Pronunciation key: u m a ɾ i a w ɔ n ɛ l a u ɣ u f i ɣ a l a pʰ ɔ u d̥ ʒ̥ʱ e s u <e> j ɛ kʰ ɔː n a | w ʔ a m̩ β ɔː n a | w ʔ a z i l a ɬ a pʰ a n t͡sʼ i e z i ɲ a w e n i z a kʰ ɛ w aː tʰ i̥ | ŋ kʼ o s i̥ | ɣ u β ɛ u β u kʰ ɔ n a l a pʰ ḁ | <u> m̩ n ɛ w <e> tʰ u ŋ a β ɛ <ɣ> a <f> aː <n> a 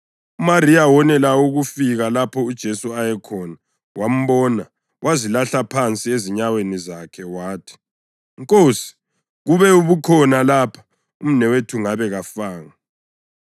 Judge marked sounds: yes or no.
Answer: no, yes, yes, yes, yes, no

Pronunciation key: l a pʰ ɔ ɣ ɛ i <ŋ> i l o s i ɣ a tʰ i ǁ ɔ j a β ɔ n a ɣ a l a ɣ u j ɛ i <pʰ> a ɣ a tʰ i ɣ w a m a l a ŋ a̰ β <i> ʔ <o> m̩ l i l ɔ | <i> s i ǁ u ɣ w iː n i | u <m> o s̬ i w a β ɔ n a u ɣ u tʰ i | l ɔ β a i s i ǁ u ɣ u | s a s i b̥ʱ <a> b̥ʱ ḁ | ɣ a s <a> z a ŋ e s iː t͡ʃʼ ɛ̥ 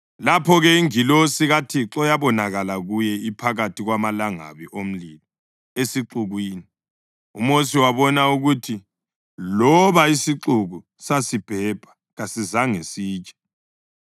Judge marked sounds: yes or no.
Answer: yes, yes, yes, yes, no, yes, no, no

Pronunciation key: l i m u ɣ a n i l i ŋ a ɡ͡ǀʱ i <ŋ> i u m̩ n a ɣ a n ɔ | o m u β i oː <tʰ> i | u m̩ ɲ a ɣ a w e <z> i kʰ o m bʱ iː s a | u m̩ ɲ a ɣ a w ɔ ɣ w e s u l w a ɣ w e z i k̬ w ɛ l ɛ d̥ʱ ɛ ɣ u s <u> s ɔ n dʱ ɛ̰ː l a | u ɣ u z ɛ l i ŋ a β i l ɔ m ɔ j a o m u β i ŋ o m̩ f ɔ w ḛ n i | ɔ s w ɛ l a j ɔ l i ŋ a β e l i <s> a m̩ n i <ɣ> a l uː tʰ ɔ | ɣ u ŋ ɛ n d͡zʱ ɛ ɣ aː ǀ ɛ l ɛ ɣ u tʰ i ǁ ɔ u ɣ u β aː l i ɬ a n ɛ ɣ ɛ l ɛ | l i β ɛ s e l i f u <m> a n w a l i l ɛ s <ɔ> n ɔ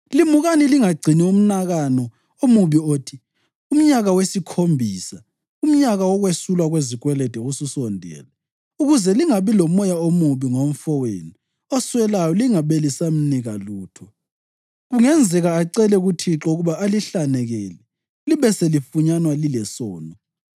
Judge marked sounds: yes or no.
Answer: no, yes, no, yes, yes, yes, no, no

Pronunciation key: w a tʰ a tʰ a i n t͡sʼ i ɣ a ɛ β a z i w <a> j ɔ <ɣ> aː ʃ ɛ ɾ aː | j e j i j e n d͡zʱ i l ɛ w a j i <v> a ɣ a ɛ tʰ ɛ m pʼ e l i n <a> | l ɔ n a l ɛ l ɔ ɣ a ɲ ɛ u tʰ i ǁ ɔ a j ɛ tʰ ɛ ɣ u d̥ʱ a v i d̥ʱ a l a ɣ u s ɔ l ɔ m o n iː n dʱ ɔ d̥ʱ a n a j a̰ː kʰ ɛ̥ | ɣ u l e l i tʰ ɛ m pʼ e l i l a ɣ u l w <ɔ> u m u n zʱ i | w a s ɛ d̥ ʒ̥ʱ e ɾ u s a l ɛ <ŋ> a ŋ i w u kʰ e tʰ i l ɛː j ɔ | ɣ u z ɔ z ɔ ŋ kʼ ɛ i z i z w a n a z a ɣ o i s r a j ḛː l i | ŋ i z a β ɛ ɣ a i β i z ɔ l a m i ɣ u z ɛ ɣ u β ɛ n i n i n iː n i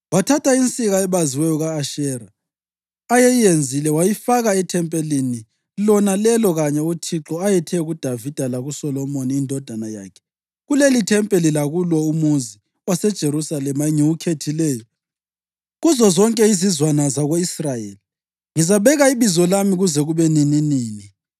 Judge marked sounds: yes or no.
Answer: no, yes, no, no, yes, no

